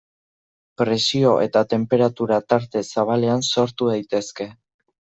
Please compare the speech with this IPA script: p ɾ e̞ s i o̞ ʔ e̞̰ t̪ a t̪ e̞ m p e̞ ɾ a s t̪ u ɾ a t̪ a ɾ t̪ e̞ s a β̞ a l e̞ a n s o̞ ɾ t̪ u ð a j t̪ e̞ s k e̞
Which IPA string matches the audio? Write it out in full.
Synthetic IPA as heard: p ɾ e̞ s i o̞ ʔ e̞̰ t̪ a t̪ e̞ m p e̞ ɾ a t̪ u ɾ a t̪ a ɾ t̪ e̞ s a β̞ a l e̞ a n s o̞ ɾ t̪ u ð a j t̪ e̞ s k e̞